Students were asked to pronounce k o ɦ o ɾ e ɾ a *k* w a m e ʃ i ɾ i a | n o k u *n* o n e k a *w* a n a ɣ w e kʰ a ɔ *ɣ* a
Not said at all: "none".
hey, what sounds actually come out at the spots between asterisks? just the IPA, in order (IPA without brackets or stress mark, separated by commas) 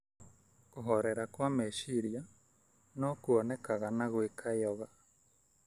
k, none, ɣ, ɣ